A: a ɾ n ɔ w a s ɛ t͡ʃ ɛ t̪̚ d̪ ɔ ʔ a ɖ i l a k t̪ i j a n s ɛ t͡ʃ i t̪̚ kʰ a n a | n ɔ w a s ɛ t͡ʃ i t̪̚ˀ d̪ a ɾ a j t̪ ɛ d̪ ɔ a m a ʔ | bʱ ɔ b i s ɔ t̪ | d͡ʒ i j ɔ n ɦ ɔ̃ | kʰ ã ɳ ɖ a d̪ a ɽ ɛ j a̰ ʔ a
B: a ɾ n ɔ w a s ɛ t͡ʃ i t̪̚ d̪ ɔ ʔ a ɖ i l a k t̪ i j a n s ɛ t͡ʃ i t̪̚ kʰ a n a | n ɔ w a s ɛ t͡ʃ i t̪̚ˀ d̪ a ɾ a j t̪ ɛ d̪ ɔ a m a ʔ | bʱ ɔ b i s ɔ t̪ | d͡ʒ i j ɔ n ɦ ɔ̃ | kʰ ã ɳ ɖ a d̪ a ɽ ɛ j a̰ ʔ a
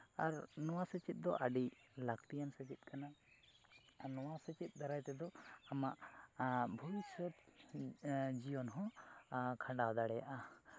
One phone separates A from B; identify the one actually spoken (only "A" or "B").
B